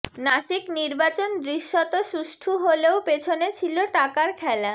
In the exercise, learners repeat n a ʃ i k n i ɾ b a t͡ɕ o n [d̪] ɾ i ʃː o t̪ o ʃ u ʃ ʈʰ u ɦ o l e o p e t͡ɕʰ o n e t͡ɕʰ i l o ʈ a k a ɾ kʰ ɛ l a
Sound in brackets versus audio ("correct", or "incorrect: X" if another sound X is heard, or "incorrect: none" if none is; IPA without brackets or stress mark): correct